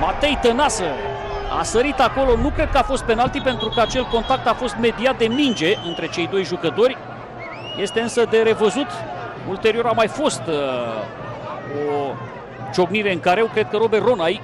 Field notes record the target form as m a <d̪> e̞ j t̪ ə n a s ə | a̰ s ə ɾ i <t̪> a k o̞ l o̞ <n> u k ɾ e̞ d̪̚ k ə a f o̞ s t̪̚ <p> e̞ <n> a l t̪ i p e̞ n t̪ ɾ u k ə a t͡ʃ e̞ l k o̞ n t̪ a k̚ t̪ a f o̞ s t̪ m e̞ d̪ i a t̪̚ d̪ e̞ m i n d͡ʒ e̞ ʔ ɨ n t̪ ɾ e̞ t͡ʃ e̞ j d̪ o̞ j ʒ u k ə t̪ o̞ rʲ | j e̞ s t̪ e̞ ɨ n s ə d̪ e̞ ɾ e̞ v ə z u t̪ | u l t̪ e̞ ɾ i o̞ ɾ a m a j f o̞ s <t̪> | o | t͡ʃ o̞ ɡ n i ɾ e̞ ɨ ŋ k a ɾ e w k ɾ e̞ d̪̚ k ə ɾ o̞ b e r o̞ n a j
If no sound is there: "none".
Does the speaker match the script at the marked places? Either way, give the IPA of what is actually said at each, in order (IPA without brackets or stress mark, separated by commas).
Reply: t̪, t̪, n, p, n, t̪